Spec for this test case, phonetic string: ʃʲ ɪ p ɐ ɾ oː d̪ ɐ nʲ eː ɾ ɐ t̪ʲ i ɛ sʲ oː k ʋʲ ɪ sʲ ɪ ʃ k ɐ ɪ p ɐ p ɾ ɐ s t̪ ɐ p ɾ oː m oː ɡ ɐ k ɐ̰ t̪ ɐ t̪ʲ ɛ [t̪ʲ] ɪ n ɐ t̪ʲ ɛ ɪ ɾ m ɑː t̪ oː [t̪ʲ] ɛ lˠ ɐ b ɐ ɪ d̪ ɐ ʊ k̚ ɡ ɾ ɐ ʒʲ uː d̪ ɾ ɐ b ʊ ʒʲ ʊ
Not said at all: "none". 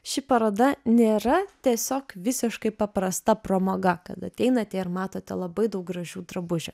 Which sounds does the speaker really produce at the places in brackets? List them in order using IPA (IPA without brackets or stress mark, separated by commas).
none, t̪ʲ